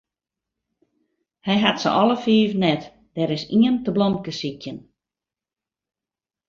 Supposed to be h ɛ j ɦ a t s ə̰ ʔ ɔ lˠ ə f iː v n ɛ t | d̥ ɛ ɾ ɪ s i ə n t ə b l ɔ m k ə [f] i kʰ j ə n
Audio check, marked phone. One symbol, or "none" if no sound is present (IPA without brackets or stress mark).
s